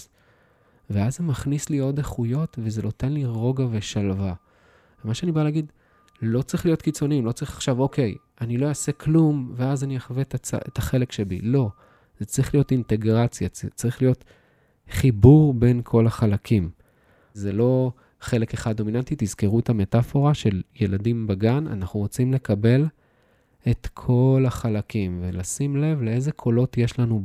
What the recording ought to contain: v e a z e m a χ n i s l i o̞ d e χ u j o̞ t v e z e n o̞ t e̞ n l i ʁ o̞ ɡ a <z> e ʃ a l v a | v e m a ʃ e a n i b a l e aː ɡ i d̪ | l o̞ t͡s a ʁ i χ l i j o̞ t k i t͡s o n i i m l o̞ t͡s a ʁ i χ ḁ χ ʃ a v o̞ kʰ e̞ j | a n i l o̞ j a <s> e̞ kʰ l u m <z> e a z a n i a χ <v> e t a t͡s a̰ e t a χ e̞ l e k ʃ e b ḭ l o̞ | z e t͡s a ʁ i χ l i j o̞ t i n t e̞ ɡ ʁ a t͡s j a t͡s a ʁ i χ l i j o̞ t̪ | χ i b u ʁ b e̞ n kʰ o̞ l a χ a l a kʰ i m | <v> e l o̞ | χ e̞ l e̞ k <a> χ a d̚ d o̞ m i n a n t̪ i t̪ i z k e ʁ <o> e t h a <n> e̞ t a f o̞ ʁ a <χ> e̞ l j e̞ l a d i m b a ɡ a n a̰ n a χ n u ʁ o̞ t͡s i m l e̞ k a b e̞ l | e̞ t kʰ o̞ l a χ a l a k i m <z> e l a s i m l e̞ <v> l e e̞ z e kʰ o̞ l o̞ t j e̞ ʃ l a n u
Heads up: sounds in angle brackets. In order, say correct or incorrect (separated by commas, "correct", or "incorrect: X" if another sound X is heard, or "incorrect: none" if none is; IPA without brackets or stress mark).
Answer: incorrect: v, correct, incorrect: v, correct, incorrect: z, incorrect: e, incorrect: u, incorrect: m, incorrect: ʃ, incorrect: v, correct